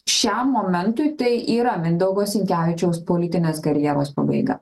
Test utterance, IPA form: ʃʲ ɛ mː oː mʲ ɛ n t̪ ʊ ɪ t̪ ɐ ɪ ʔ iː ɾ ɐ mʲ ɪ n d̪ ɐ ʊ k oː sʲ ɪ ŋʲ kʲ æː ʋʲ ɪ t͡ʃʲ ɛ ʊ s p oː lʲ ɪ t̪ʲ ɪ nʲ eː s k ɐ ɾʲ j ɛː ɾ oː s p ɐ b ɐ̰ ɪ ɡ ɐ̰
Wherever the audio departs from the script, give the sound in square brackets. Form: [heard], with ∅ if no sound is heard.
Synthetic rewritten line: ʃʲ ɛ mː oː mʲ ɛ n t̪ ʊ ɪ t̪ ɐ ɪ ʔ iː ɾ ɐ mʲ ɪ n d̪ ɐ ʊ [ɡ] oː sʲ ɪ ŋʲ kʲ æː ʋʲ ɪ t͡ʃʲ ɛ ʊ s p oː lʲ ɪ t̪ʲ ɪ nʲ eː s k ɐ ɾʲ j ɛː ɾ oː s p ɐ b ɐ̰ ɪ ɡ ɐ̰